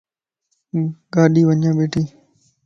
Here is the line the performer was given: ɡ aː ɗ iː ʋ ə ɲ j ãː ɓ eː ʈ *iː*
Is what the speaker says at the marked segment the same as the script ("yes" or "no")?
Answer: yes